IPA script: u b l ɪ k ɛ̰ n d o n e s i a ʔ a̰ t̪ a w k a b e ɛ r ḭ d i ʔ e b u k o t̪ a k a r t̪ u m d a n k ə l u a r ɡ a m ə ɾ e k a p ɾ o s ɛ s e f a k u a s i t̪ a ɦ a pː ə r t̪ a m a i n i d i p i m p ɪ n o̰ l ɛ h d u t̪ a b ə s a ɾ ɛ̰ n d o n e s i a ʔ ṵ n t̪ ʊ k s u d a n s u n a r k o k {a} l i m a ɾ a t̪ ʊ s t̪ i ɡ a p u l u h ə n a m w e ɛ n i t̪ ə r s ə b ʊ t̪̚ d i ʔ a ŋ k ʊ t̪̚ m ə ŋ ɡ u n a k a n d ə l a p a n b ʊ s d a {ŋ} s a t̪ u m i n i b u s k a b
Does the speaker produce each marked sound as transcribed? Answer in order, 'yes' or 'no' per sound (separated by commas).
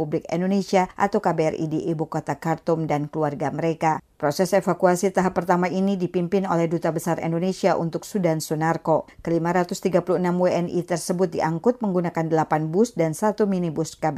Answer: no, no